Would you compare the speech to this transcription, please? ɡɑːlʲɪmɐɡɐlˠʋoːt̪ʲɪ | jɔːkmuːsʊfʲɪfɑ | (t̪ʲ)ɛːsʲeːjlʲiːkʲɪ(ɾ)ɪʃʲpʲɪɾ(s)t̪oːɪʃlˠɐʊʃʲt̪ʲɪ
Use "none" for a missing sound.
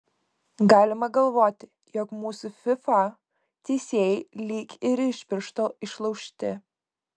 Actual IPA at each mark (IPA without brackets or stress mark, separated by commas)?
t̪ʲ, ɾ, ʃ